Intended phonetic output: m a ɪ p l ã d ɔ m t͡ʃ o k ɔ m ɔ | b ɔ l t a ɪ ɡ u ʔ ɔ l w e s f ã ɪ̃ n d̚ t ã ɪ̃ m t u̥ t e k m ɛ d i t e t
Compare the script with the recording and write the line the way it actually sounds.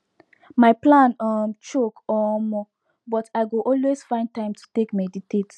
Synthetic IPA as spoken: m a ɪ p l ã n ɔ m t͡ʃ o k ɔ m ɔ | b ɔ t a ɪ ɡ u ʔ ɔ l w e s f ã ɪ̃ n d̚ t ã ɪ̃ m t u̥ t e k m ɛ d i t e t